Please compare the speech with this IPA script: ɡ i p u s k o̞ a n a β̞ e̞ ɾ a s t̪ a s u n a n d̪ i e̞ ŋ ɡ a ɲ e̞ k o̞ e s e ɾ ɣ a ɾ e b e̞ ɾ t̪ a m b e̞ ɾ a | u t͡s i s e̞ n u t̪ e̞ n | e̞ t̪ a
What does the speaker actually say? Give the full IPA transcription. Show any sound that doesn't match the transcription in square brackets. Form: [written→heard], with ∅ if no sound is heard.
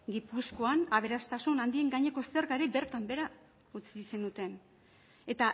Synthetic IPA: ɡ i p u s k o̞ a n a β̞ e̞ ɾ a s t̪ a s u n a n d̪ i e̞ ŋ ɡ a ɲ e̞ k o̞ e s e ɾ ɣ a ɾ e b e̞ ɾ t̪ a m b e̞ ɾ a | u t͡s i s e̞ n u t̪ e̞ n | e̞ t̪ a

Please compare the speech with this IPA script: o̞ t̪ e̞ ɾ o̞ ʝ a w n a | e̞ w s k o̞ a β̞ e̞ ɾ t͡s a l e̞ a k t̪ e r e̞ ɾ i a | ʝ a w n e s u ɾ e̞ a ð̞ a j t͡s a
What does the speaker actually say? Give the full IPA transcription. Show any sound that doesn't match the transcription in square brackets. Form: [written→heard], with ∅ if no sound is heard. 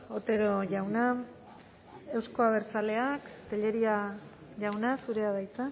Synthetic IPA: o̞ t̪ e̞ ɾ o̞ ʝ a w n a | e̞ w s k o̞ a β̞ e̞ ɾ t͡s a l e̞ a k t̪ e [r→ʎ] e̞ ɾ i a | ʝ a w n [e→a] s u ɾ e̞ a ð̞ a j t͡s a

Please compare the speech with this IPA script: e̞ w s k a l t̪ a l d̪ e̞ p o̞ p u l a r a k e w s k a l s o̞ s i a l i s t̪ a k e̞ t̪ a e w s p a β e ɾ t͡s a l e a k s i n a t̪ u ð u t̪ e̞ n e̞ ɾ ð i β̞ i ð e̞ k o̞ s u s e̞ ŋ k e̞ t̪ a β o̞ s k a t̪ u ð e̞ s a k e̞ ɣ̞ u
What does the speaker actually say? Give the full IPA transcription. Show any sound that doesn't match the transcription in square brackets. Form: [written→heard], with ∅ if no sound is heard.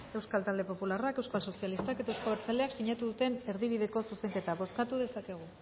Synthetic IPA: e̞ w s k a l t̪ a l d̪ e̞ p o̞ p u l a r a k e w s k a l s o̞ s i a l i s t̪ a k e̞ t̪ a e w s [p→k] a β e ɾ t͡s a l e a k s i [n→ɲ] a t̪ u ð u t̪ e̞ n e̞ ɾ ð i β̞ i ð e̞ k o̞ s u s e̞ ŋ k e̞ t̪ a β o̞ s k a t̪ u ð e̞ s a k e̞ ɣ̞ u

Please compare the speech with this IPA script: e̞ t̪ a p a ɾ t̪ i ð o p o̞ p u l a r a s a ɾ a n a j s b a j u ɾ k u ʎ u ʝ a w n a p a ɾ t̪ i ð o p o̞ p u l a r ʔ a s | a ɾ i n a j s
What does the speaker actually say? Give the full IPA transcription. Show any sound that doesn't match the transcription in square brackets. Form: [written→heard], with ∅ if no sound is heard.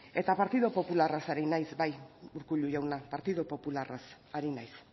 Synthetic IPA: e̞ t̪ a p a ɾ t̪ i ð o p o̞ p u l a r a s a ɾ [a→i] n a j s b a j u ɾ k u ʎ u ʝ a w n a p a ɾ t̪ i ð o p o̞ p u l a r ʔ a s | a ɾ i n a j s

